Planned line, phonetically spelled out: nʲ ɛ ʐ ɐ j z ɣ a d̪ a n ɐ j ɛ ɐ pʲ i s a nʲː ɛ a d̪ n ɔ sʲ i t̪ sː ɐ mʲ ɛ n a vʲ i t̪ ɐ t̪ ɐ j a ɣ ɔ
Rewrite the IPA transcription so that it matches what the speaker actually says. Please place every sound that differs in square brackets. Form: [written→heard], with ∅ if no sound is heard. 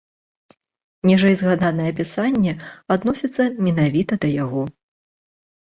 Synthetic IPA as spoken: nʲ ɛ ʐ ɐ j z ɣ a d̪ a n ɐ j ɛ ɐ pʲ i s a nʲː ɛ a d̪ n ɔ sʲ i t̪ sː ɐ mʲ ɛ n a vʲ i t̪ ɐ [t̪→d̪] ɐ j a ɣ ɔ